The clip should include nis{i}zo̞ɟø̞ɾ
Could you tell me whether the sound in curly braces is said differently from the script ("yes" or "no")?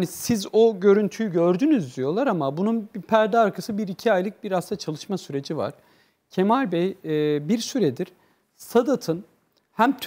no